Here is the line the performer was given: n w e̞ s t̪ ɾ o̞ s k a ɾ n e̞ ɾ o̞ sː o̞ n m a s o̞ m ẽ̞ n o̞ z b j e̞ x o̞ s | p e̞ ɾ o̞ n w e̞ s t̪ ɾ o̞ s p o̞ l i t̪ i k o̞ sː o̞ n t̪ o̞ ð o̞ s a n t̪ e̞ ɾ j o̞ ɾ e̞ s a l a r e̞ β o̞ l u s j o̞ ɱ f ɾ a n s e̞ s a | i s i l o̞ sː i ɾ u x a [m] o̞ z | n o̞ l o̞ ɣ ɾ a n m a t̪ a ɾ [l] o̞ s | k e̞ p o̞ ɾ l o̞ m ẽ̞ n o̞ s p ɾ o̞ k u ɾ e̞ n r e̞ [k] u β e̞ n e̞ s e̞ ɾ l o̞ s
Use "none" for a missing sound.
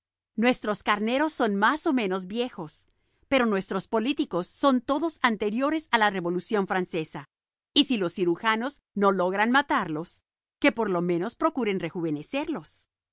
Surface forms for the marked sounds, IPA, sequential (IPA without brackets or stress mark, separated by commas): n, l, x